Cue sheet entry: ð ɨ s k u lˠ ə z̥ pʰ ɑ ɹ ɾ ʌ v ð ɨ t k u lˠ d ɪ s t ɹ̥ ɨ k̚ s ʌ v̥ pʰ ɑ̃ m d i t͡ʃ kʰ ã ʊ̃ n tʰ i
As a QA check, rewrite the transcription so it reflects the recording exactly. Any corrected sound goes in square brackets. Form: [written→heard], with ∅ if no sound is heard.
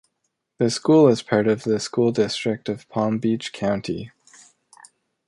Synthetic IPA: ð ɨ s k u lˠ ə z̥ pʰ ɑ ɹ ɾ ʌ v ð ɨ [t→s] k u lˠ d ɪ s t ɹ̥ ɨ k̚ [s→t] ʌ v̥ pʰ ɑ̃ m [d→b] i t͡ʃ kʰ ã ʊ̃ n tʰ i